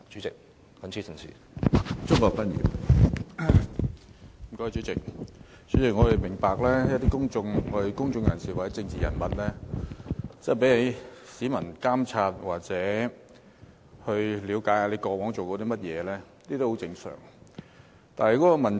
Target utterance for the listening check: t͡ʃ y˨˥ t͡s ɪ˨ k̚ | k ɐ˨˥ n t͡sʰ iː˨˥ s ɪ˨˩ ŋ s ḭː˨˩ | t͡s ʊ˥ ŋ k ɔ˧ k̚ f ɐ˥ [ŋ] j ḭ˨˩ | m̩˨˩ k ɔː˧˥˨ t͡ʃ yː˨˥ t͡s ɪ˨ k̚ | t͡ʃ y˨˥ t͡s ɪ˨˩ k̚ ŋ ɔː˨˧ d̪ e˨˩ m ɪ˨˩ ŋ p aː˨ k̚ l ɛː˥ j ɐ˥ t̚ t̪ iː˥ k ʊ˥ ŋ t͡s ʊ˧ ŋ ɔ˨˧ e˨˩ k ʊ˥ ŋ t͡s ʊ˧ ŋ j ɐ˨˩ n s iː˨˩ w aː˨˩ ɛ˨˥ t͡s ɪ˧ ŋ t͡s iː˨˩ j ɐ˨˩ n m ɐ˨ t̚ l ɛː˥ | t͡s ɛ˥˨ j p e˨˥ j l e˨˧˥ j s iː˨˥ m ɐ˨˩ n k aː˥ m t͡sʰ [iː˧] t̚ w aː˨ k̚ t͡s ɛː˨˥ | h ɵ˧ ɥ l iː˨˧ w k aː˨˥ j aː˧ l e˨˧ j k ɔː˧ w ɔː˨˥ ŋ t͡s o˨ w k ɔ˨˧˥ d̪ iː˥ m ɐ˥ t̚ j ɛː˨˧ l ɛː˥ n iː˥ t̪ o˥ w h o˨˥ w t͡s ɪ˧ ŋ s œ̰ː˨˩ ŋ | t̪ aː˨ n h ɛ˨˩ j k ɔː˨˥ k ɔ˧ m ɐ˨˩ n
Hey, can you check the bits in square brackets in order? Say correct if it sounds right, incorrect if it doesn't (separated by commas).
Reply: incorrect, incorrect